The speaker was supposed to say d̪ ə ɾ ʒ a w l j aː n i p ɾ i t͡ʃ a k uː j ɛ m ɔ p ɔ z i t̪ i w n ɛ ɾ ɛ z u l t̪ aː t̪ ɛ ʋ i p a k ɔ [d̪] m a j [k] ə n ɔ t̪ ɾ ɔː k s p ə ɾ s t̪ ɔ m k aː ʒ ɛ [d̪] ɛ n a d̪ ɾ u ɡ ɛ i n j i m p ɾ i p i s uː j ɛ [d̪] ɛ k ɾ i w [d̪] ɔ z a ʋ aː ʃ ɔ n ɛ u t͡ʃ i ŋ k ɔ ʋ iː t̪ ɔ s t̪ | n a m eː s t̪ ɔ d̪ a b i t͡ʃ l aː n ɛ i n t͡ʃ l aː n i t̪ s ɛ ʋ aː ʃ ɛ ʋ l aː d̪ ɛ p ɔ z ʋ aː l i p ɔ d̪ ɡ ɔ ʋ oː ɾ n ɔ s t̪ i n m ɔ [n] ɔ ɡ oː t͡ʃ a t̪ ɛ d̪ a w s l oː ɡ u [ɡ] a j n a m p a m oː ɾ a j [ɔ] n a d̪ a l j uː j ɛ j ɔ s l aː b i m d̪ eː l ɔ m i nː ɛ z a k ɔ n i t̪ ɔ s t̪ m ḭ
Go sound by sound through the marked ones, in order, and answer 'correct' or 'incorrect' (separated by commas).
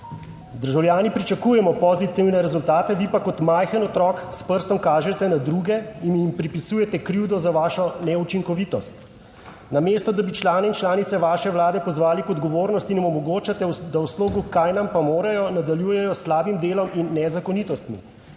incorrect, incorrect, incorrect, incorrect, correct, incorrect, incorrect, correct